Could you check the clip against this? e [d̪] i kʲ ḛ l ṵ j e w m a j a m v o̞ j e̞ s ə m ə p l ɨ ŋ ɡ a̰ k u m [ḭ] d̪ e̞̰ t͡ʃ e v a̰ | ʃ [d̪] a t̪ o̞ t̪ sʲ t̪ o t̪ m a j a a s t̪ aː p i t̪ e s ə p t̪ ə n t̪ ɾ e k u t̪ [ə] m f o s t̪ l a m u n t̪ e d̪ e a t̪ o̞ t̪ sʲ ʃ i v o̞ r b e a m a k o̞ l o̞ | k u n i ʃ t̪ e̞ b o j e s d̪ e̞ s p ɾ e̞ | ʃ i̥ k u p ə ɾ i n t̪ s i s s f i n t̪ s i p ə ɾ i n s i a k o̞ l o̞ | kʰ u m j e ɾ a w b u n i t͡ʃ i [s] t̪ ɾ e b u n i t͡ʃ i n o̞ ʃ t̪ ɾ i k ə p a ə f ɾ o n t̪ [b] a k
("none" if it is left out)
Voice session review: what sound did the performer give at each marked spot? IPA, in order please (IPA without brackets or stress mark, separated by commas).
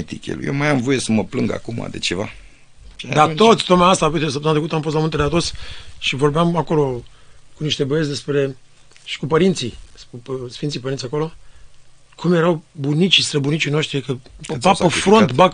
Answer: t̪, a̰, d̪, a, s, b